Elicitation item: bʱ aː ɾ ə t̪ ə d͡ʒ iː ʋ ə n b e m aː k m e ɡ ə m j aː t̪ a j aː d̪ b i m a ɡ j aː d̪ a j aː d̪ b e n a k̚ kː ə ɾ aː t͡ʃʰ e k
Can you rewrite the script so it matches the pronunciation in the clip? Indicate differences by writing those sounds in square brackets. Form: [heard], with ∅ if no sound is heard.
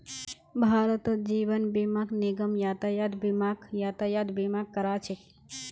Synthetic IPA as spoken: bʱ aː ɾ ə t̪ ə d͡ʒ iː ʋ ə n b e m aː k [n] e ɡ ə m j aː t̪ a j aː d̪ b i m a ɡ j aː [t̪] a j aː d̪ b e [m] a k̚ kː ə ɾ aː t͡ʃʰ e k